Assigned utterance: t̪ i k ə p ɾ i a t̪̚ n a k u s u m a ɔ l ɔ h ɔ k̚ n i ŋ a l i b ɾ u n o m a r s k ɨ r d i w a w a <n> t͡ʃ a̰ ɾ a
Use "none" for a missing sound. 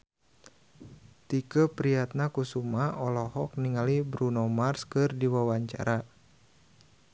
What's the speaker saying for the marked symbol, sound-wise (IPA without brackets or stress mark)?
ɲ